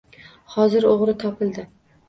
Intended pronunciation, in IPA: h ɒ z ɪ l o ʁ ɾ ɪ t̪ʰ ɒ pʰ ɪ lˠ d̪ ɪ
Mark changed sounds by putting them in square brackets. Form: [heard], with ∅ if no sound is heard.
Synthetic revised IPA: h ɒ z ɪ [ɾ] o ʁ ɾ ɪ t̪ʰ ɒ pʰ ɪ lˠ d̪ ɪ